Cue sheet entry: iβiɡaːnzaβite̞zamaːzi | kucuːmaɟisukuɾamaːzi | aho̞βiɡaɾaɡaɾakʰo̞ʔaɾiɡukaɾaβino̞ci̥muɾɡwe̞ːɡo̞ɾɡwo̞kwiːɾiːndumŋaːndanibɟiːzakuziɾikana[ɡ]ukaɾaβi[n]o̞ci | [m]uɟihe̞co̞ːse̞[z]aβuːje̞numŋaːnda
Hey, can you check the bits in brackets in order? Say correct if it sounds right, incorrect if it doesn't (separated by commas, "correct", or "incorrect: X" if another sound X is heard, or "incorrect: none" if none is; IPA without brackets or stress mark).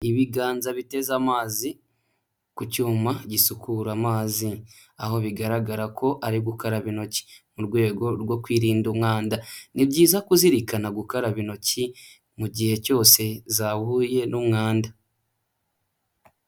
correct, correct, correct, correct